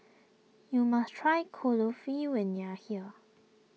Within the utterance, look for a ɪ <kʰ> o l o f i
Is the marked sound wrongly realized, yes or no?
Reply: no